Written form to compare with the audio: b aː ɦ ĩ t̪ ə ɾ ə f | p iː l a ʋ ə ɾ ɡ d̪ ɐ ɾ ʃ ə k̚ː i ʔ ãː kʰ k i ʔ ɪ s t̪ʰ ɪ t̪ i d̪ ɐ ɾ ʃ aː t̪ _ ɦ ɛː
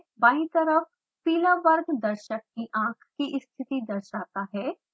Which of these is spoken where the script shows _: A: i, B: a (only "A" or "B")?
B